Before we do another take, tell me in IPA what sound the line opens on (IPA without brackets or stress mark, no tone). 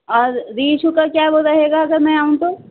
ɔː